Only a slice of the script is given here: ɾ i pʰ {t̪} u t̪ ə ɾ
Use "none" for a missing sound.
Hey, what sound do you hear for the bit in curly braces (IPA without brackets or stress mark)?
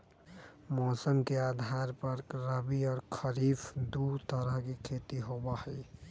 d̪